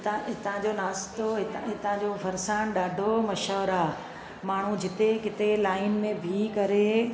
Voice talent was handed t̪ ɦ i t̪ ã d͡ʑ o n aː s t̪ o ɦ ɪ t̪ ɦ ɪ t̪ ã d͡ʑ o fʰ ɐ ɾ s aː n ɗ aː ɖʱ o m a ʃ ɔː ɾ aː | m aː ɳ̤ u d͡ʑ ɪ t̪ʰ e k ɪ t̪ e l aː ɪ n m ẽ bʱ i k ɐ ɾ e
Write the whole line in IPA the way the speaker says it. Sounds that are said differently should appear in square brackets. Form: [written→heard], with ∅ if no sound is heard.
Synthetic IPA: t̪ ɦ [i→ɪ] t̪ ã d͡ʑ o n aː s t̪ o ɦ ɪ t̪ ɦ ɪ t̪ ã d͡ʑ o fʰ ɐ ɾ s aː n ɗ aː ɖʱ o m [a→ɐ] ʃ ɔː ɾ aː | m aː ɳ̤ u d͡ʑ ɪ [t̪ʰ→t̪] e k ɪ t̪ e l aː ɪ n m ẽ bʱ i k ɐ ɾ e